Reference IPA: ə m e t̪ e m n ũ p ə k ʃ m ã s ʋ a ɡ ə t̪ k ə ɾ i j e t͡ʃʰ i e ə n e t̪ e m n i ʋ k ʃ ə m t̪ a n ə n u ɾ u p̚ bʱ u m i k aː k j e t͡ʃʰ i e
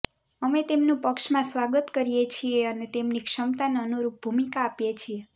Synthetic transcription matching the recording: ə m e t̪ e m n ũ p ə k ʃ m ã s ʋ a ɡ ə t̪ k ə ɾ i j e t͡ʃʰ i e ə n e t̪ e m n i k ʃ ə m t̪ a n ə n u ɾ u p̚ bʱ u m i k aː p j e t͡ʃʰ i e